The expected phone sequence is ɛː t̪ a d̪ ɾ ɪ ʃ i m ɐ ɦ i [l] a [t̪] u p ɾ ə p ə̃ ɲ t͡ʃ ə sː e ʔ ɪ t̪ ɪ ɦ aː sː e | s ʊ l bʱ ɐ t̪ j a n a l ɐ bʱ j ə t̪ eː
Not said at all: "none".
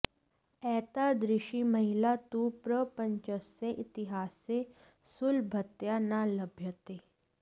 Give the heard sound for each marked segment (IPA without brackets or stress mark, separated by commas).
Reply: l, t̪